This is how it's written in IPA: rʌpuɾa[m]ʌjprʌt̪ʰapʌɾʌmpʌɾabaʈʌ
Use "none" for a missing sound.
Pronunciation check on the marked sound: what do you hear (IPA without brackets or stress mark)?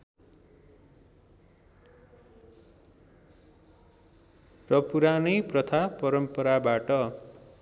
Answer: n